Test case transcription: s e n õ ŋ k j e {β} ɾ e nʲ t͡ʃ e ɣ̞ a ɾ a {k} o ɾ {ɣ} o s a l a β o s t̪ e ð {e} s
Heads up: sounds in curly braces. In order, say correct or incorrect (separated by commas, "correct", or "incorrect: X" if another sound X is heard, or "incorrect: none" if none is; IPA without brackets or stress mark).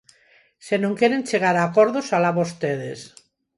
incorrect: none, correct, incorrect: ð, correct